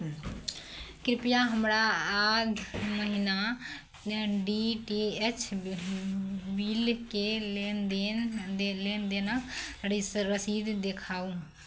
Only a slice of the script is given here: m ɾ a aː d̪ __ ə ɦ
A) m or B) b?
A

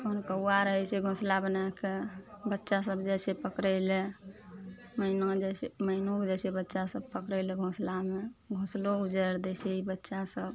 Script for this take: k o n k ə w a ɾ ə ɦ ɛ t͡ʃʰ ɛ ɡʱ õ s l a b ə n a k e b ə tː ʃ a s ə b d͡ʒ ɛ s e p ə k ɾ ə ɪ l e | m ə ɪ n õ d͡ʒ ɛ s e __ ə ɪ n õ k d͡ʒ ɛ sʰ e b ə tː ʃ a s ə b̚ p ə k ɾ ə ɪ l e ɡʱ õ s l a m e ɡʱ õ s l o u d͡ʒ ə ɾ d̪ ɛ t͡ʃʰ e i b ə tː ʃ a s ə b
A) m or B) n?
A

